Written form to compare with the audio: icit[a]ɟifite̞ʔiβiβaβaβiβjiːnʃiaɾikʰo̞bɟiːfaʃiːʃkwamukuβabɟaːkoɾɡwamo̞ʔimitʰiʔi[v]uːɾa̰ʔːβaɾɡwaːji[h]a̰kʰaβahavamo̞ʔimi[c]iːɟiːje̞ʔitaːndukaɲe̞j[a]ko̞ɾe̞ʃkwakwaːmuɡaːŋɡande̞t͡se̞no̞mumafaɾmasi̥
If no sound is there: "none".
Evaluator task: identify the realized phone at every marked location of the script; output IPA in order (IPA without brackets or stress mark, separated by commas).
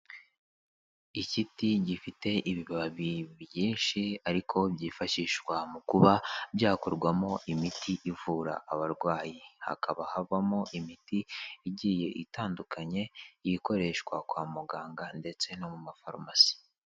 i, v, h, t, i